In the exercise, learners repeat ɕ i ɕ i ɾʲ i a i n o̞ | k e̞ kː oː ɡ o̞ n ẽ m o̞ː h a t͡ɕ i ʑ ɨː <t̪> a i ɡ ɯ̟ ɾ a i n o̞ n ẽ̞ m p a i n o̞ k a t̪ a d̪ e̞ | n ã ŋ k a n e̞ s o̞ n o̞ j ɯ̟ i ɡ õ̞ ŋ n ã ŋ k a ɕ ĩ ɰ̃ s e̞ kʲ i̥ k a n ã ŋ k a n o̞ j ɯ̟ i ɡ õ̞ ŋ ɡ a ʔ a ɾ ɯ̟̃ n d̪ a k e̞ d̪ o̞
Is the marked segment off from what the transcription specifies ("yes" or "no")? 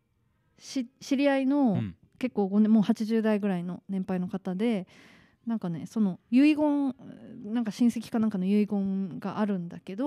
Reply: yes